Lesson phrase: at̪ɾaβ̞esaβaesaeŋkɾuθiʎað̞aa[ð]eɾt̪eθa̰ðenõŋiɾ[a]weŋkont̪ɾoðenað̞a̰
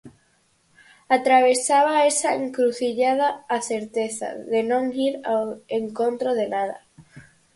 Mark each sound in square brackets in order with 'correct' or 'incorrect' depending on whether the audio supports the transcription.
incorrect: θ, correct

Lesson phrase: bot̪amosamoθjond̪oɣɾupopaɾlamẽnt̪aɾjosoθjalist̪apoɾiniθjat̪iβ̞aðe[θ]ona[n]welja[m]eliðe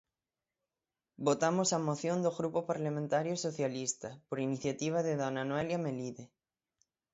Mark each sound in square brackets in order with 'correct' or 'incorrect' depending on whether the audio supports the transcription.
incorrect: ð, correct, correct

